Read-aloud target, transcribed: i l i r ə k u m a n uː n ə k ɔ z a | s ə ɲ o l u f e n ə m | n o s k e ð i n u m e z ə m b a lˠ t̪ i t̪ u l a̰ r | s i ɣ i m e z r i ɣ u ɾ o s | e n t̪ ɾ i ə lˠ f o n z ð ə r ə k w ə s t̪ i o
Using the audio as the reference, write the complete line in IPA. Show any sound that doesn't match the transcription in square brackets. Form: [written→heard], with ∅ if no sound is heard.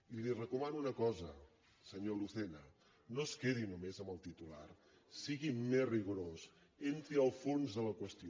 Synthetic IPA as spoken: i l i r ə k u m a n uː n ə k ɔ z [a→ə] | s ə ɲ o l u [f→θ] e n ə [m→∅] | n o s k e ð i n u m e z ə m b [a→ə] lˠ t̪ i t̪ u l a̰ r | s i ɣ i m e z r i ɣ u ɾ o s | e n t̪ ɾ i ə lˠ f o n z ð ə [r→l] ə k w ə s t̪ i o